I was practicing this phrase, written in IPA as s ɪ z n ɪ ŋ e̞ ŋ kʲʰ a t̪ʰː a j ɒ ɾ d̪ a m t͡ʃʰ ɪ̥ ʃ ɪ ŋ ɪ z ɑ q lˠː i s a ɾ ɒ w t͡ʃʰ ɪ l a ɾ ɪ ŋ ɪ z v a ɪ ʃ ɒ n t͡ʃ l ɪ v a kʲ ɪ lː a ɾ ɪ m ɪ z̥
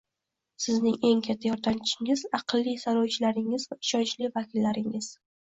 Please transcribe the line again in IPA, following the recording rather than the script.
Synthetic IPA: s ɪ z n ɪ ŋ e̞ ŋ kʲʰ a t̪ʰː a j ɒ ɾ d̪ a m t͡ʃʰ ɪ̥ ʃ ɪ ŋ ɪ z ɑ q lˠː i s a ɾ ɒ w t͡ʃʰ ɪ l a ɾ ɪ ŋ ɪ z v a ɪ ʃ ɒ n t͡ʃ l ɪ v a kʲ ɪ lː a ɾ ɪ ŋ ɪ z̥